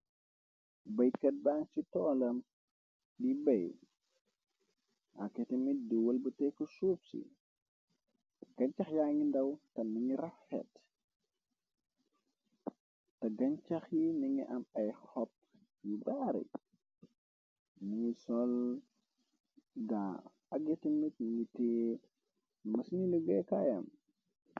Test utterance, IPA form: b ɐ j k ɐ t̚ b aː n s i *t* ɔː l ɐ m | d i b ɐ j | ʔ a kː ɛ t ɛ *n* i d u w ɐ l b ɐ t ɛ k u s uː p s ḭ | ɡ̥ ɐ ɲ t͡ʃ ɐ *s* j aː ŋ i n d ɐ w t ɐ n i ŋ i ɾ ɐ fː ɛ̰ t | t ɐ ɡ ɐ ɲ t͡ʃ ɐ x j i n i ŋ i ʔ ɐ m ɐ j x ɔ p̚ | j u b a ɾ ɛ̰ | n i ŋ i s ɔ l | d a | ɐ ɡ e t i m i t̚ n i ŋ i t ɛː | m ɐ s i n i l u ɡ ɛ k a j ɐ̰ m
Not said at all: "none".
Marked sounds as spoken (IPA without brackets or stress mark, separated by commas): t, m, x